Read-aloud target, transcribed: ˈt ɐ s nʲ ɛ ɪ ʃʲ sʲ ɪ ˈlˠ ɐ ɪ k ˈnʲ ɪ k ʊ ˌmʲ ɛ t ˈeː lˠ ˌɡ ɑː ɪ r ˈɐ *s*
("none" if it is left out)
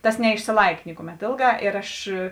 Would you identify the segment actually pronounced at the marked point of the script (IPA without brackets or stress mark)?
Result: ʃ